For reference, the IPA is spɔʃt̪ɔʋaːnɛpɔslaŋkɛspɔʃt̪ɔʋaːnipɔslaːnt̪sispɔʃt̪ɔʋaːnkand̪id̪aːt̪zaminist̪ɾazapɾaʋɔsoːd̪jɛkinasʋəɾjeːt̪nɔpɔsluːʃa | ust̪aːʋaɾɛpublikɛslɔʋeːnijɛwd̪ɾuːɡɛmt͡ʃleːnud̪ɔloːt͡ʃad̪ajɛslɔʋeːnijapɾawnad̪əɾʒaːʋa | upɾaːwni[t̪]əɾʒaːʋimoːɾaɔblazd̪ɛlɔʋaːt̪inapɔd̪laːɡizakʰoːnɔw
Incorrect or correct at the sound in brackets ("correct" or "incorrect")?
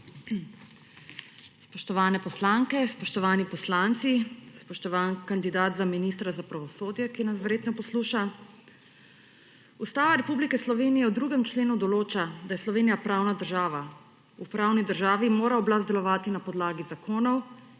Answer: incorrect